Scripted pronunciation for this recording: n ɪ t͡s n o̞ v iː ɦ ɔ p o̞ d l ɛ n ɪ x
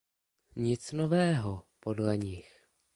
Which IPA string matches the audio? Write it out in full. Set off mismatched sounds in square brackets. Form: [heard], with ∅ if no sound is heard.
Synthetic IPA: [ɲ] ɪ t͡s n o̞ v [ɛː] ɦ [o] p o̞ d l ɛ [ɲ] ɪ x

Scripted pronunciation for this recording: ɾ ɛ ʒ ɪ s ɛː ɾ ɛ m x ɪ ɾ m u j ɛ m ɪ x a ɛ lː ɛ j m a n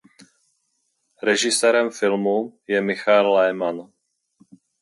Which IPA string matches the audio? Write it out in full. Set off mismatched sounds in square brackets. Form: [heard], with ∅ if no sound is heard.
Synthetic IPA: ɾ ɛ ʒ ɪ s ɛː ɾ ɛ m [f] ɪ [l] m u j ɛ m ɪ x a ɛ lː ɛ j m a n

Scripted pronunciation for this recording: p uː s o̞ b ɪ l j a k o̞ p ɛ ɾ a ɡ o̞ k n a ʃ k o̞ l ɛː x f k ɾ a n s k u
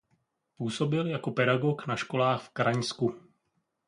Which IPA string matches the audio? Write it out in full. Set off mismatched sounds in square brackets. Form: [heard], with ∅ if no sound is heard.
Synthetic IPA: p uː s o̞ b ɪ l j a k o̞ p ɛ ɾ a ɡ o̞ k n a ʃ k o̞ l [aː] x f k ɾ a [ɲ] s k u

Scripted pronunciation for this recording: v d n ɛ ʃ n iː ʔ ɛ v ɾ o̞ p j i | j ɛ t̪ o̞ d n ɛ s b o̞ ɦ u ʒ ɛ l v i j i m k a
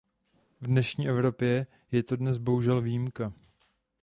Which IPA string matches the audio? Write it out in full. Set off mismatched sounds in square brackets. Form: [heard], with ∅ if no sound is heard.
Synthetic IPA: v d n ɛ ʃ [ɲ] iː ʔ ɛ v ɾ o̞ p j [ɛ] | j ɛ t̪ o̞ d n ɛ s b o̞ ɦ u ʒ ɛ l v i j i m k a

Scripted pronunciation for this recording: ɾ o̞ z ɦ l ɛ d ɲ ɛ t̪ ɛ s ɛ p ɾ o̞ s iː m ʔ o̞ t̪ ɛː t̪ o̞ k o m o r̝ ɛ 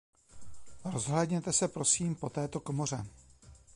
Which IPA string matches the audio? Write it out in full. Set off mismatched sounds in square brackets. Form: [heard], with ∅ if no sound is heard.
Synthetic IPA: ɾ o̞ z ɦ l ɛ d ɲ ɛ t̪ ɛ s ɛ p ɾ o̞ s iː m [p] o̞ t̪ ɛː t̪ o̞ k o m o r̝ ɛ

